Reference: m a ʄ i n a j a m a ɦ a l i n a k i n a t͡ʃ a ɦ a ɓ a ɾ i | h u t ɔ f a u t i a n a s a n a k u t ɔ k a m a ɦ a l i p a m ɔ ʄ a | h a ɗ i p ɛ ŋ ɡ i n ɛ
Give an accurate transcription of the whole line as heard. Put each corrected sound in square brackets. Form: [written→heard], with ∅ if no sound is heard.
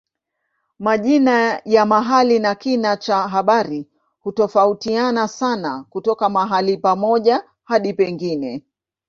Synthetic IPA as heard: m a ʄ i n a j a m a ɦ a l i n a k i n a t͡ʃ a ɦ a ɓ a ɾ i | h u t ɔ f a u t i a n a s a n a k u t ɔ k a m a ɦ a l i p a m ɔ ʄ a | h a ɗ i p ɛ ŋ ɡ i n ɛ